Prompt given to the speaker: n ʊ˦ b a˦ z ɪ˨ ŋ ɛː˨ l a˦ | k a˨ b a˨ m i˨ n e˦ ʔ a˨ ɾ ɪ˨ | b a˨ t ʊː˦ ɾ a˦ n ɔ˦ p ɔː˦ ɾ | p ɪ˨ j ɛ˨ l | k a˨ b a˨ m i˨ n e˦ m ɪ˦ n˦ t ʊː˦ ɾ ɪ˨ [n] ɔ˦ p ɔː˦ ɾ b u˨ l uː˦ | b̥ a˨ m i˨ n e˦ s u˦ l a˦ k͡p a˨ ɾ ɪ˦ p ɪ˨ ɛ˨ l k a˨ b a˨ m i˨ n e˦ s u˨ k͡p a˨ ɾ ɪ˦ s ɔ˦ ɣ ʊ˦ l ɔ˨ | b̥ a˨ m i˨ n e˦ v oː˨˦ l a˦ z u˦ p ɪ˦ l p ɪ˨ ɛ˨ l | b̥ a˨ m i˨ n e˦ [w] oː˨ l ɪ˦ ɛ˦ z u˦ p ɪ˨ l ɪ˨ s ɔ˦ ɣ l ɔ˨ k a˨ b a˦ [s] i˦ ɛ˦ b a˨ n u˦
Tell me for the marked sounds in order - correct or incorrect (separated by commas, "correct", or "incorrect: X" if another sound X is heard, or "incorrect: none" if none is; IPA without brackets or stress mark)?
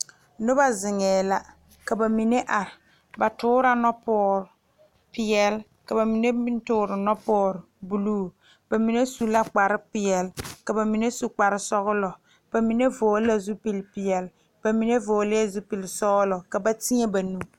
correct, incorrect: v, incorrect: t